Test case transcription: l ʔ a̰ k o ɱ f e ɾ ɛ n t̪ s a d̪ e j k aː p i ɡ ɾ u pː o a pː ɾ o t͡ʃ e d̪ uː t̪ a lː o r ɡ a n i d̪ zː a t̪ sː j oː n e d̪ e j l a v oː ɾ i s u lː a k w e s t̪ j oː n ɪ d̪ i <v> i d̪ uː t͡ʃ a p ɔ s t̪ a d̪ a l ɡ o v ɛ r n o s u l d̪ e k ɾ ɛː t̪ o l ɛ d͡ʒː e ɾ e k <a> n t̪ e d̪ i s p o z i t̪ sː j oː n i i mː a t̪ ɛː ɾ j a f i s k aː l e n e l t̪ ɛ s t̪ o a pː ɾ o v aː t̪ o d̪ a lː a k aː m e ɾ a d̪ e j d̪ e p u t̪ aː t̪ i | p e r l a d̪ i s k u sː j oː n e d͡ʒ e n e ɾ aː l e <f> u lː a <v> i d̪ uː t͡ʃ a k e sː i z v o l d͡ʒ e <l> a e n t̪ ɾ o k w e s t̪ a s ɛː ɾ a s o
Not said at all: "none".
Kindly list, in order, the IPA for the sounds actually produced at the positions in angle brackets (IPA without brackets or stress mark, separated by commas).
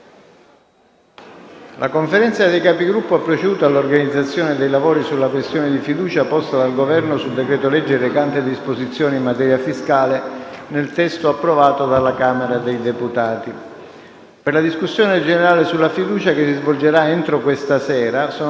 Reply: f, a, s, f, ɾ